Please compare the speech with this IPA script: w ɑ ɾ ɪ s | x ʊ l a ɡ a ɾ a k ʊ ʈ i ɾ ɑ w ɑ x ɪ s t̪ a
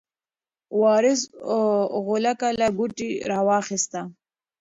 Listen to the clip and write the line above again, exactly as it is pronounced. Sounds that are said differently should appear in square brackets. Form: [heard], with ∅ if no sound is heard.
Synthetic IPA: w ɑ ɾ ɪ s | [ɣ] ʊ l a [k] a [l] a [ɡ] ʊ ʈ i ɾ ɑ w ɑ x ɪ s t̪ a